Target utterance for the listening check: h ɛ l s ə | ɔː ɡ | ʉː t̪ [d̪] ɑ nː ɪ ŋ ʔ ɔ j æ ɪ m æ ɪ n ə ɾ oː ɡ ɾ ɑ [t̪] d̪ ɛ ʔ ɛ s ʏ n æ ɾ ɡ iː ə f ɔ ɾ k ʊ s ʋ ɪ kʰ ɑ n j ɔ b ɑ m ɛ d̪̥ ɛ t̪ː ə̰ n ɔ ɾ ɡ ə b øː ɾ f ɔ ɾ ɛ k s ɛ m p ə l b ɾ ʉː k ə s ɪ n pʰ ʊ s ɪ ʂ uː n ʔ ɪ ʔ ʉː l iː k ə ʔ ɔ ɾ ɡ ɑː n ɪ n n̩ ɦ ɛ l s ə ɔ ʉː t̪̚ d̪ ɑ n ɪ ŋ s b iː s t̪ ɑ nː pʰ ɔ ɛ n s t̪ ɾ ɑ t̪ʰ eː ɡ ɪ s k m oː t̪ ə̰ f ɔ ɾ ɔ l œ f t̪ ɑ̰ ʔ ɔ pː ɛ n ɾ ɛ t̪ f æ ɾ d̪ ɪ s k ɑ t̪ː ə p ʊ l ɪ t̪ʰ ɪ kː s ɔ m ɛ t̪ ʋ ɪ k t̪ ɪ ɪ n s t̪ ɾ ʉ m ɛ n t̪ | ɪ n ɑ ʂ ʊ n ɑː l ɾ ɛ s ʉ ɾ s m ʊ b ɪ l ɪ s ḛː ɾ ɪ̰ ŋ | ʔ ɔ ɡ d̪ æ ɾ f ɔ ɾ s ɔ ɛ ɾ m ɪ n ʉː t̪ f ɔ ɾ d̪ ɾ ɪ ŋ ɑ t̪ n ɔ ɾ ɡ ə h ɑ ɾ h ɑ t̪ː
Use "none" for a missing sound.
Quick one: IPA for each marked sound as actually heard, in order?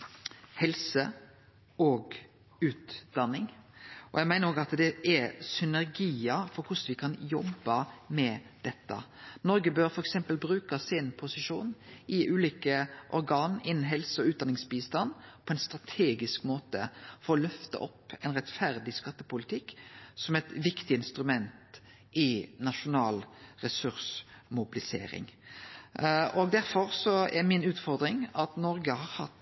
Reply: d̪, t̪

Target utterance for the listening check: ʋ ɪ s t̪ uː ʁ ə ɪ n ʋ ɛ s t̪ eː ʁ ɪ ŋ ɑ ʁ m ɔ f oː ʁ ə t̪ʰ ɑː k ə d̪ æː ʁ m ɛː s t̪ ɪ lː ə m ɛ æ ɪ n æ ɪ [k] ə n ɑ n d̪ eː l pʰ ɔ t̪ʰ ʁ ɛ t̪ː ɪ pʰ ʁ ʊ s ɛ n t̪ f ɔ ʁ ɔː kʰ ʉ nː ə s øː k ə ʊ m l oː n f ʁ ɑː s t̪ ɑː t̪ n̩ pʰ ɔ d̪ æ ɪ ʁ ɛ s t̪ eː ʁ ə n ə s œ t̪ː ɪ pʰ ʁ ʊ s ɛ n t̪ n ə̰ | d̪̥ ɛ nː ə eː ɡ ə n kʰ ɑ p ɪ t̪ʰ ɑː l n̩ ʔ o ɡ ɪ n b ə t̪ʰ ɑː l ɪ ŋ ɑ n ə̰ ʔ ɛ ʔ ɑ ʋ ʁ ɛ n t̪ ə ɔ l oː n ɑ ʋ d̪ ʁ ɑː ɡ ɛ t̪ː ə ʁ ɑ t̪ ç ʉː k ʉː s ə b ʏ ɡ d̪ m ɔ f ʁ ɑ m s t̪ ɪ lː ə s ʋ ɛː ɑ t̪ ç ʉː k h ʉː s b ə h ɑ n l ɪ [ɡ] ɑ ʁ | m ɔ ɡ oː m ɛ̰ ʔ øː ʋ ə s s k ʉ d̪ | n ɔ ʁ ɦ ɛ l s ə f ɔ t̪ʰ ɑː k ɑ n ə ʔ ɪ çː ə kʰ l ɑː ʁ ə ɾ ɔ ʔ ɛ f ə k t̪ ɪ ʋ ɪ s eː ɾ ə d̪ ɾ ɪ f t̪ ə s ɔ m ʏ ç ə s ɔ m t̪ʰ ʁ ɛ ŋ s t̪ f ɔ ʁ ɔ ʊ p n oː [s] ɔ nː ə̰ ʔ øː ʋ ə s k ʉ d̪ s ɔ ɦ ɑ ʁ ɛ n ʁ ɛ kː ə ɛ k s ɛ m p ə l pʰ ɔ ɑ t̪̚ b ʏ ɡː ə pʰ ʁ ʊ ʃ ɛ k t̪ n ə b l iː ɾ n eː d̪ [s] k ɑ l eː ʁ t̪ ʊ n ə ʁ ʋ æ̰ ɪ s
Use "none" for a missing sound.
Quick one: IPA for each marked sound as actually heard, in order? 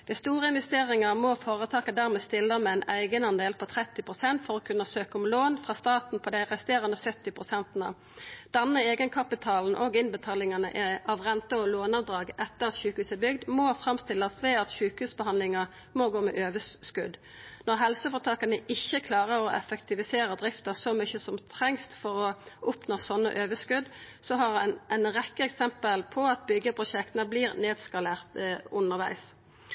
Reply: ɡ, ŋ, s, s

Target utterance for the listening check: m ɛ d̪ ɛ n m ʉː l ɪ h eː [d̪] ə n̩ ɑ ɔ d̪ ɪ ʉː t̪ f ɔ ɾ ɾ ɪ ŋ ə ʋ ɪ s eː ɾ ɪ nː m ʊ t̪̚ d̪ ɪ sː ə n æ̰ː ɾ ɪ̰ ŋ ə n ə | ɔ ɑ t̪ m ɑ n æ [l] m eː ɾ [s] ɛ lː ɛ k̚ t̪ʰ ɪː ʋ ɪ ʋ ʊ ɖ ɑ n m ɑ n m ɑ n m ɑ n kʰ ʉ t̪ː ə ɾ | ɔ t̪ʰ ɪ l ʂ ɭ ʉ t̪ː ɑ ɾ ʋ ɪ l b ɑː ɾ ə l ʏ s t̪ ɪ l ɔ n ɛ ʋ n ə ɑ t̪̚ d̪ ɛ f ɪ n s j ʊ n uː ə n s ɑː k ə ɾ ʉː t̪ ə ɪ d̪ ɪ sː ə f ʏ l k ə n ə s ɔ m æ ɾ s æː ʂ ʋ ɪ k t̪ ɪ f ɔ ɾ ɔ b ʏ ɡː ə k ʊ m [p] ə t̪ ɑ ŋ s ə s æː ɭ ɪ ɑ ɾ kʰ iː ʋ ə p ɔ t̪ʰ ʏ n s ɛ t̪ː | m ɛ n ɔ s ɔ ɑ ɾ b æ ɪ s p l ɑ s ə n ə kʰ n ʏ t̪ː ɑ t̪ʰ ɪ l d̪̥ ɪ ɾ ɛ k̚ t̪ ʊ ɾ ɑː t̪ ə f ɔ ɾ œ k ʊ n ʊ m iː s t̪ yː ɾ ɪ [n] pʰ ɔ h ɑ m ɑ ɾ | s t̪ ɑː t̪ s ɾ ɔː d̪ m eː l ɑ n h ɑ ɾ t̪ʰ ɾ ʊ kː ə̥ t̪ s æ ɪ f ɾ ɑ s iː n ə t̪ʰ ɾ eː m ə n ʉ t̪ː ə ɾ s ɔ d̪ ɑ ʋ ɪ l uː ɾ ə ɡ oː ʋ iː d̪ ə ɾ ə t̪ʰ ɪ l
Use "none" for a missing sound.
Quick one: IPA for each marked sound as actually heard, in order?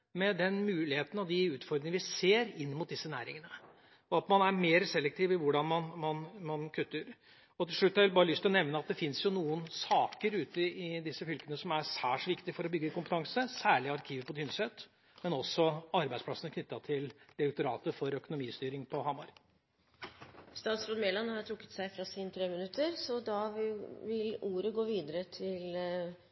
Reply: t̪, ɾ, s, p, ŋ

